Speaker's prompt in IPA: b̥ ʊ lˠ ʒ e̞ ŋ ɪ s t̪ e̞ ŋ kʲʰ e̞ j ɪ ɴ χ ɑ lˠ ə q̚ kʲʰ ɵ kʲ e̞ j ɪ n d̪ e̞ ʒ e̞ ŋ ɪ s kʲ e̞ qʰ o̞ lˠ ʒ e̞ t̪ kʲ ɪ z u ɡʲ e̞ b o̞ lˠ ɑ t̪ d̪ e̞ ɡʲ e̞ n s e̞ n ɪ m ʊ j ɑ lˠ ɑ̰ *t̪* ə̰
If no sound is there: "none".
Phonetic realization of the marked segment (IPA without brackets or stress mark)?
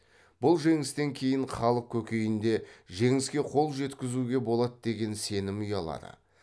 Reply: d̪